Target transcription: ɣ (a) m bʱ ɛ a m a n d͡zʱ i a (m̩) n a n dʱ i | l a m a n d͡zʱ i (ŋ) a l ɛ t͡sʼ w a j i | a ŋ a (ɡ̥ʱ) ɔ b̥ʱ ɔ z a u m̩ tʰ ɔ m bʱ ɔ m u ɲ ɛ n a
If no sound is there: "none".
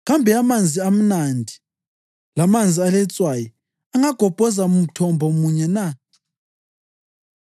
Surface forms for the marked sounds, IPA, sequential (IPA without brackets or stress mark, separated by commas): a, m̩, none, ɡ̥ʱ